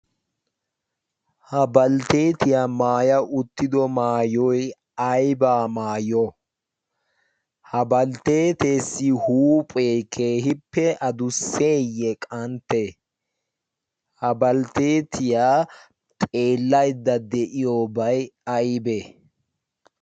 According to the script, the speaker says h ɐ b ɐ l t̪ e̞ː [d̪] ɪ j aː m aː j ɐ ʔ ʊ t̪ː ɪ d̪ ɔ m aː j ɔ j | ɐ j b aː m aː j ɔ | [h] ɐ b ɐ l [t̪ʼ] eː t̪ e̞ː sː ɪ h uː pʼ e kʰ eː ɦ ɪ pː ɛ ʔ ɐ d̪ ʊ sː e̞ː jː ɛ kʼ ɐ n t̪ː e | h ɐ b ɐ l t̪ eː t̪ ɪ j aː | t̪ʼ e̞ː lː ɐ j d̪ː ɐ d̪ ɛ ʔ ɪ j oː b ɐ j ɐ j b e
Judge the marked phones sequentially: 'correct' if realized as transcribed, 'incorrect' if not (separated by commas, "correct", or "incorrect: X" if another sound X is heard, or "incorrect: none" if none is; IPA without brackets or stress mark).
incorrect: t̪, correct, incorrect: t̪